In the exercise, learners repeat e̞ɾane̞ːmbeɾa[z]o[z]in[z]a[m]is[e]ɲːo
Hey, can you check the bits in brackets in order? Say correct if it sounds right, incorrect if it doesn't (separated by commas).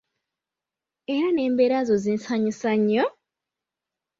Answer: correct, correct, incorrect, incorrect, incorrect